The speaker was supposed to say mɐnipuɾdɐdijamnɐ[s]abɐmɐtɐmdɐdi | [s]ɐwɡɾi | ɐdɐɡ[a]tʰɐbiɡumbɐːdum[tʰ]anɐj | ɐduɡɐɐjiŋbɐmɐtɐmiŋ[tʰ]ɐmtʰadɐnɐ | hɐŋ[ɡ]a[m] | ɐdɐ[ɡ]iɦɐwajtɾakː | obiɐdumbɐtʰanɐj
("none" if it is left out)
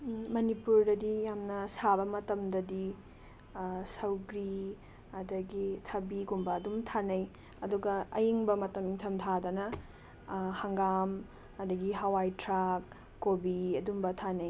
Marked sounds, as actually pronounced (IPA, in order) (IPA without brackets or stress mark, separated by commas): s, s, i, tʰ, tʰ, ɡ, m, ɡ